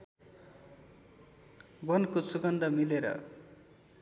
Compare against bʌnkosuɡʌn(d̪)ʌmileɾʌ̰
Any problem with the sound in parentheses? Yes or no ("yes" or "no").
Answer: no